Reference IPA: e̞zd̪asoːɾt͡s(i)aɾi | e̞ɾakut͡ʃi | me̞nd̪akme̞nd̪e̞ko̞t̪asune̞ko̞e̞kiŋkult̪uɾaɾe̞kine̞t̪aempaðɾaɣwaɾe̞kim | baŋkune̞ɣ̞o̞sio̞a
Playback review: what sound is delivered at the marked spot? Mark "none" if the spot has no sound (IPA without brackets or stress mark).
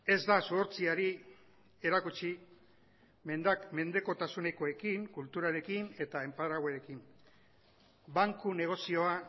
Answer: i